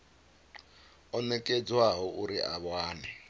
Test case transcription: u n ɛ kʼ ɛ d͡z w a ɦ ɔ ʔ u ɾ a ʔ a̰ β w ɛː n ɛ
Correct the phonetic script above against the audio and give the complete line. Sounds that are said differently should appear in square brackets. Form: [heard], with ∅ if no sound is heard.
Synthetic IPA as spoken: [ɔ] n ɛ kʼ ɛ d͡z w a ɦ ɔ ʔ u ɾ [i] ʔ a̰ β w [aː] n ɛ